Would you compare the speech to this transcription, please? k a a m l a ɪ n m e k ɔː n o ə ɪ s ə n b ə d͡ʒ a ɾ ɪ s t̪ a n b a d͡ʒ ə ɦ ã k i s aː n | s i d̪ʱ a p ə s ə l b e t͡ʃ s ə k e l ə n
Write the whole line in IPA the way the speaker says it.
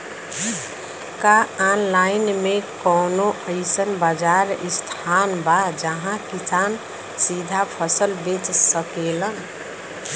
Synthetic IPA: k a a n l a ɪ n m e k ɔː n o ə ɪ s ə n b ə d͡ʒ a ɾ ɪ s t̪ʰ a n b a d͡ʒ ə ɦ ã k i s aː n | s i d̪ʱ a pʰ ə s ə l b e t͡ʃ s ə k e l ə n